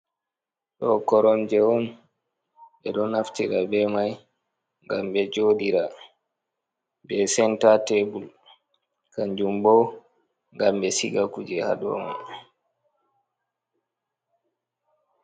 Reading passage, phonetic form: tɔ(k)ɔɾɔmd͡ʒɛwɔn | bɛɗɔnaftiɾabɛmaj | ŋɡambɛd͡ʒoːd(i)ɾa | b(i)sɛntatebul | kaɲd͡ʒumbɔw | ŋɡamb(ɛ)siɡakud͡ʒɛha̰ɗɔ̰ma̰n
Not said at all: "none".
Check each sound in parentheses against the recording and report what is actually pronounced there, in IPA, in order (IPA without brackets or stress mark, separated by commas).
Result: k, i, ɛ, ɛ